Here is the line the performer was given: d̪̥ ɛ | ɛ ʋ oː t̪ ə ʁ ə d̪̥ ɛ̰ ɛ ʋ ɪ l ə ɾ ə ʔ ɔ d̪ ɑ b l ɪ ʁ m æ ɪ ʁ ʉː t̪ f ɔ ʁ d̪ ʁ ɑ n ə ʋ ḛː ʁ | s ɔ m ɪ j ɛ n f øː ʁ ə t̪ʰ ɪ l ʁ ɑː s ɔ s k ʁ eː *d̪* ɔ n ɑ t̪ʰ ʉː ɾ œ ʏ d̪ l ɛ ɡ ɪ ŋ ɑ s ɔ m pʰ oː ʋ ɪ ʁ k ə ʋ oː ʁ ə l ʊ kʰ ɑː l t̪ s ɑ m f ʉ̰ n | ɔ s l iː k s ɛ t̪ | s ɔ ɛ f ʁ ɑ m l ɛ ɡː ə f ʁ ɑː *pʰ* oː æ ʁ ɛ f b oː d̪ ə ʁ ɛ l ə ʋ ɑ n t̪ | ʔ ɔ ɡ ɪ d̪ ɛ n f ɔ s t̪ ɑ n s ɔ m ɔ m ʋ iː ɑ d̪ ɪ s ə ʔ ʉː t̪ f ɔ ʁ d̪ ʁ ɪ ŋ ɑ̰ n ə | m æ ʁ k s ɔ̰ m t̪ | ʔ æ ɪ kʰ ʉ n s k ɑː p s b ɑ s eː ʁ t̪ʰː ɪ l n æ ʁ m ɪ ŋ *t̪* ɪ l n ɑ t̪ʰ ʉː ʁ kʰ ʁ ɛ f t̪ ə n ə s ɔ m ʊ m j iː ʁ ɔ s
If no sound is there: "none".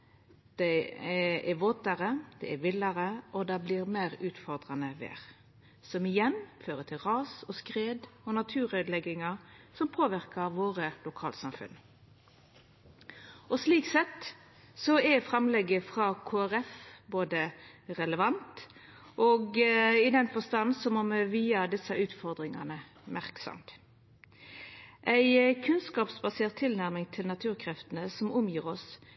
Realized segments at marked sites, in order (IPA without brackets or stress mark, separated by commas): d̪, kʰ, t̪ʰ